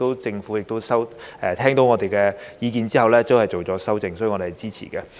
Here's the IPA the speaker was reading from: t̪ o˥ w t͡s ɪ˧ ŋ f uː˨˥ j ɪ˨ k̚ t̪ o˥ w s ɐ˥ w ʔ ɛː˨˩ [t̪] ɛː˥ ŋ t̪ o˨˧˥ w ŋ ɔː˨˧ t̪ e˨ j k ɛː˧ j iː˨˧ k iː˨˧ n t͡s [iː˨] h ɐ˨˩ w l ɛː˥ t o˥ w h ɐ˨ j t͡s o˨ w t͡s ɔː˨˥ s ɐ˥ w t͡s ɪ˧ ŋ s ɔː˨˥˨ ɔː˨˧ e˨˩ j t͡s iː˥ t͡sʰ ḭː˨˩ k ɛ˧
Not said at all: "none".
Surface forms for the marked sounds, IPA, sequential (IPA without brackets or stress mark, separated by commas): t̪ʰ, iː˥